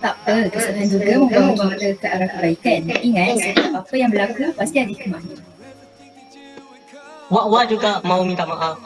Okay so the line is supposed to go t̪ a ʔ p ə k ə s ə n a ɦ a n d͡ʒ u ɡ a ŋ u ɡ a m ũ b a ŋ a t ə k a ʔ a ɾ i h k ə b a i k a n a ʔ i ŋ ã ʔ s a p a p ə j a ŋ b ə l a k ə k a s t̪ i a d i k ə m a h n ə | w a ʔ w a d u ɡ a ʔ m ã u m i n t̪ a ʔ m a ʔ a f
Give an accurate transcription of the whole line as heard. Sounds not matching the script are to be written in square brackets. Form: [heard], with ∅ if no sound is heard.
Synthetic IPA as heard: t̪ a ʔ p ə k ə s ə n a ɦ a n d͡ʒ u ɡ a [m] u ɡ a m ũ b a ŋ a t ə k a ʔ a ɾ [a] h k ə b a i k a n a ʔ i ŋ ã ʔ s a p a p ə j a ŋ b ə l a k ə [p] a s t̪ i a d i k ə m a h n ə | w a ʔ w a [d͡ʒ] u ɡ a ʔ m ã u m i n t̪ a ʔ m a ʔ a f